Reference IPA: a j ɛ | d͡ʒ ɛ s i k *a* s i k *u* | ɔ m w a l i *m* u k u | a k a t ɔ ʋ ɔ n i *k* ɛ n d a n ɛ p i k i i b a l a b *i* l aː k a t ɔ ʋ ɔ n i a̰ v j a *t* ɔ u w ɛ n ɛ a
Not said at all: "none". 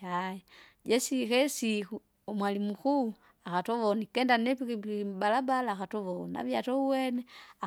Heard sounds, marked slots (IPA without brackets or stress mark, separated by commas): ɛ, u, m, k, a, t